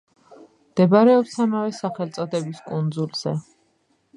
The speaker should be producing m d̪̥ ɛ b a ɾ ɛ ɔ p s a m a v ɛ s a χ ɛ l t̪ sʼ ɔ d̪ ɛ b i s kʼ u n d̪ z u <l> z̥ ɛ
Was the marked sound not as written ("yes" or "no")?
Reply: no